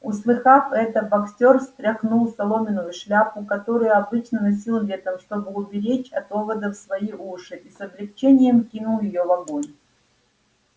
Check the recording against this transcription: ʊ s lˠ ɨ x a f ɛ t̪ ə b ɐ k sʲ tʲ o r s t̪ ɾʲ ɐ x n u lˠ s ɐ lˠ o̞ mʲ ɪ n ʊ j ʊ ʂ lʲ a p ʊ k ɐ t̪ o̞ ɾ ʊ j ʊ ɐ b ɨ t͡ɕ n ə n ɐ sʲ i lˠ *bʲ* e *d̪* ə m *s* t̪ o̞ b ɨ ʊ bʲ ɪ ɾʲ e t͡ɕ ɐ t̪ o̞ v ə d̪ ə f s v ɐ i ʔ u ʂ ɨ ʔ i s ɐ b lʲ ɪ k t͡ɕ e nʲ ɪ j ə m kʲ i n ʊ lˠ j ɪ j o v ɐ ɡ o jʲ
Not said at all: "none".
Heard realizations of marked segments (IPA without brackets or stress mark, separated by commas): vʲ, t̪, ʂ